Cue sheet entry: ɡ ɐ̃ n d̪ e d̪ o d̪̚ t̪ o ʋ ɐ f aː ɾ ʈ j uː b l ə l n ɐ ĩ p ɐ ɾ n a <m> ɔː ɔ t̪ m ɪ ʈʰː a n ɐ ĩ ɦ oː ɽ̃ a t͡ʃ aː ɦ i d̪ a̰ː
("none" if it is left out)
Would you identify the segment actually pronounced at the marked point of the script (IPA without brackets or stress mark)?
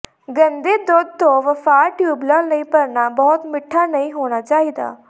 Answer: b